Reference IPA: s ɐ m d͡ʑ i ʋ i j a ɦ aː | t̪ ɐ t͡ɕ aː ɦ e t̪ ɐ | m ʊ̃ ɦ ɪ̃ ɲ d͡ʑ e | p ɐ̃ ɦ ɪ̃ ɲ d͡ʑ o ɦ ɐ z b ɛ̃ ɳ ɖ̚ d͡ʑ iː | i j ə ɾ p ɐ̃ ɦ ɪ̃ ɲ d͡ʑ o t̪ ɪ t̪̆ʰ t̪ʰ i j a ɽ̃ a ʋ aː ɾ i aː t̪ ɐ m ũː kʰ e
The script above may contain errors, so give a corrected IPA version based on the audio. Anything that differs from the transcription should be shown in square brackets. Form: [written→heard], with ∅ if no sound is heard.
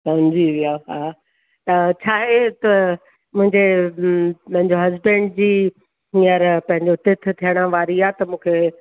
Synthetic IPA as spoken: s ɐ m d͡ʑ i ʋ i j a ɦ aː | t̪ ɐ [t͡ɕ→t͡ɕʰ] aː ɦ e t̪ ɐ | m ʊ̃ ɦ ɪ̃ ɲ d͡ʑ e | p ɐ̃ ɦ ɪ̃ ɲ d͡ʑ o ɦ ɐ z b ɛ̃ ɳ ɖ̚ d͡ʑ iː | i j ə ɾ p ɐ̃ ɦ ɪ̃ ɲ d͡ʑ o t̪ ɪ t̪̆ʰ t̪ʰ i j [a→ə] ɽ̃ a ʋ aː ɾ i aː t̪ ɐ m ũː kʰ e